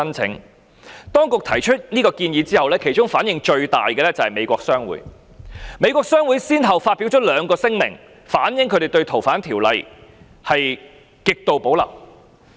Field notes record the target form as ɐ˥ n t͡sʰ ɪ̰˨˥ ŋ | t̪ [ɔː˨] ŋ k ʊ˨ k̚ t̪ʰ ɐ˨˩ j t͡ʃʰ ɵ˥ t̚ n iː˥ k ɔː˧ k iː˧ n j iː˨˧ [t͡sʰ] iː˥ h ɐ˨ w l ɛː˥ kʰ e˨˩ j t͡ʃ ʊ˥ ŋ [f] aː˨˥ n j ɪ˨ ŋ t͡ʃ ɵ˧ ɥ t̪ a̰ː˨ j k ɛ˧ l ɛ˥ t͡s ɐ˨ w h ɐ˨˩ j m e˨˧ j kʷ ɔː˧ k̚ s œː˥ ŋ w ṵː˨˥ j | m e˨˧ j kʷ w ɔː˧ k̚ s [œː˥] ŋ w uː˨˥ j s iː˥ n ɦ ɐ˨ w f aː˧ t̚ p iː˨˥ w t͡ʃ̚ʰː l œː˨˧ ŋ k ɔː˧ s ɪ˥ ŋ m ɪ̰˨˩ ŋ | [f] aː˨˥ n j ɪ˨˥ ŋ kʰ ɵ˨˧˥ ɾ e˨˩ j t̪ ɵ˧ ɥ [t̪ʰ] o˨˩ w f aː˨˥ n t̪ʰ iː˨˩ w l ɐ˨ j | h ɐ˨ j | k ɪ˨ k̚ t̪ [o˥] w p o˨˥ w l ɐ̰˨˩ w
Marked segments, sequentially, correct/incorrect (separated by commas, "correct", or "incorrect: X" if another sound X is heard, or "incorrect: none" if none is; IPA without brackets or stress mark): incorrect: ɔː˥, incorrect: t͡s, correct, correct, correct, correct, incorrect: o˨